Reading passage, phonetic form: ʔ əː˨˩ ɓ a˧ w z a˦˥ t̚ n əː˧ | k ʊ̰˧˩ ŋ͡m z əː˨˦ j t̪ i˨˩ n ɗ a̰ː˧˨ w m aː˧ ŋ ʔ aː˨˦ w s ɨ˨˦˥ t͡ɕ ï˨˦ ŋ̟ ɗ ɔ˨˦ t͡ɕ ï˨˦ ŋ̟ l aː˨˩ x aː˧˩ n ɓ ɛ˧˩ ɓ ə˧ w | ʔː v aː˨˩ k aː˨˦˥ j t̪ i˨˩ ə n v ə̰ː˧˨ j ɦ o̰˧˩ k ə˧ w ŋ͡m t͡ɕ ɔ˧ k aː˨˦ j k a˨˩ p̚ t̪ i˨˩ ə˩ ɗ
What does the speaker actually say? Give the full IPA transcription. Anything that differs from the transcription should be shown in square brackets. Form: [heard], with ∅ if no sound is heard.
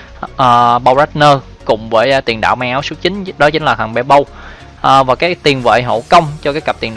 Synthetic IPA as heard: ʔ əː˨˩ ɓ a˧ w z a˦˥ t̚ n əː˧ | k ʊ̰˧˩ ŋ͡m [v] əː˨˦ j t̪ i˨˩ n ɗ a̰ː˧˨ w m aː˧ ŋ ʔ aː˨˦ w s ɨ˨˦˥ t͡ɕ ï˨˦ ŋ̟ ɗ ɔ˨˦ t͡ɕ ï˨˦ ŋ̟ l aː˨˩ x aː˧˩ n ɓ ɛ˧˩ ɓ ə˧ w | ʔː v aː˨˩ k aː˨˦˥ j t̪ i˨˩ ə n v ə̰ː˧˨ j ɦ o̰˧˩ k ə˧ w ŋ͡m t͡ɕ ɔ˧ k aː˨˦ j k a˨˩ p̚ t̪ i˨˩ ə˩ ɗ